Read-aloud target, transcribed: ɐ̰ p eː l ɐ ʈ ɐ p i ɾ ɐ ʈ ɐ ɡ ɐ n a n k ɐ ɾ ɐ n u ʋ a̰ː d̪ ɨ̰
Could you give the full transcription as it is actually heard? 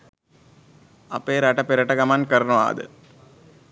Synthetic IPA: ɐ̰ p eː ɾ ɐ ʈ ɐ p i ɾ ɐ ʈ ɐ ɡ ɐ m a n k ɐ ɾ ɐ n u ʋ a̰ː d̪ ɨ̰